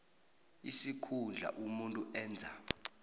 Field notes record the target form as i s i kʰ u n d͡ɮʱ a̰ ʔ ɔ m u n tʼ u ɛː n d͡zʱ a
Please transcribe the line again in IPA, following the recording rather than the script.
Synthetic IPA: i s i kʰ u n d͡ɮʱ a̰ ʔ u m u n tʼ u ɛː n d͡zʱ a